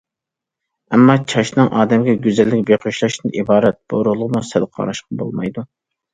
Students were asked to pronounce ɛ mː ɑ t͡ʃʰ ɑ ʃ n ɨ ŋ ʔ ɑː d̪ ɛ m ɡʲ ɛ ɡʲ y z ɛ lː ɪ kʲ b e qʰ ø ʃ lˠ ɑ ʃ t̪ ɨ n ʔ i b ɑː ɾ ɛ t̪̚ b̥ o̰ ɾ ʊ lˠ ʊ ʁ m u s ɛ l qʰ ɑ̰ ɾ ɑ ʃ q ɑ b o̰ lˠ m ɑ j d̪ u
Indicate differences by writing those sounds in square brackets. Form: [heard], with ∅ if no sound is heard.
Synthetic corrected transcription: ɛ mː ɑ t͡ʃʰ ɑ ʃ n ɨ ŋ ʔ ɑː d̪ ɛ m ɡʲ ɛ ɡʲ y z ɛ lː ɪ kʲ b e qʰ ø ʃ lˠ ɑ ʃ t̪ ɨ n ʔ i b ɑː ɾ ɛ t̪̚ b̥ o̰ ɾ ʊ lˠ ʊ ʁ m u s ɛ l qʰ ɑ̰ ɾ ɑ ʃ q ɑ b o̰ lˠ m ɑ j d̪ u